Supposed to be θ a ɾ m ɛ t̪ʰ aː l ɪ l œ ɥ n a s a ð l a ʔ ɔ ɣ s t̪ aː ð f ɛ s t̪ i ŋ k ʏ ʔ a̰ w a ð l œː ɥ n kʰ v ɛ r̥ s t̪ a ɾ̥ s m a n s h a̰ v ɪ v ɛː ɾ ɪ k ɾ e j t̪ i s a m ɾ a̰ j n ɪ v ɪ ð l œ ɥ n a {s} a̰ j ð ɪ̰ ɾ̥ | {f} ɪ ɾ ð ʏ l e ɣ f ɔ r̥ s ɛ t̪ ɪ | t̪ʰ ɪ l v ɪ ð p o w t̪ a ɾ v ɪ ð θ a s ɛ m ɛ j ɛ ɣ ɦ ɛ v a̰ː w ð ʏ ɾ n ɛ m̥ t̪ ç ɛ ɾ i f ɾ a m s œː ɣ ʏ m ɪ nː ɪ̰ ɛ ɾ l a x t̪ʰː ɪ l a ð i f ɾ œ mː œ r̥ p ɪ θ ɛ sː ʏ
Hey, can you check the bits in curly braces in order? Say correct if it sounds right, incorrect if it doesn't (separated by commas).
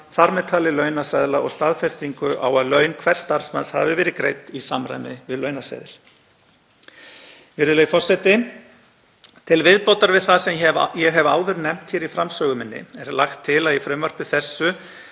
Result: correct, incorrect